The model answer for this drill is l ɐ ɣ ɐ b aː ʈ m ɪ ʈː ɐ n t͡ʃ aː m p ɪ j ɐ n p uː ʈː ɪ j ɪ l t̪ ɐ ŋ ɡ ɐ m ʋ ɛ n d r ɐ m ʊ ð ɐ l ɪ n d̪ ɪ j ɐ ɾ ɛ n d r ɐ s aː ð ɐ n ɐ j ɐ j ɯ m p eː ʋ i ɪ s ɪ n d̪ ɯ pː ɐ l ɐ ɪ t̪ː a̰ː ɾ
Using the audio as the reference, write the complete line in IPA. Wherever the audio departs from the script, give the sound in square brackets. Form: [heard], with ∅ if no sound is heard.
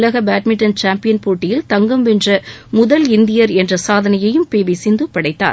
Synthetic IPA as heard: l ɐ ɣ ɐ b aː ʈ m ɪ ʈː ɐ n t͡ʃ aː m p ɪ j ɐ n p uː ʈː ɪ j ɪ l t̪ ɐ ŋ ɡ ɐ m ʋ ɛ n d r ɐ m ʊ ð ɐ l ɪ n d̪ ɪ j ɐ ɾ ɛ n d r ɐ s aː ð ɐ n ɐ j ɐ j ɯ m p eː ʋ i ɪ s ɪ n d̪ ɯ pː ɐ [ɽ] ɐ ɪ t̪ː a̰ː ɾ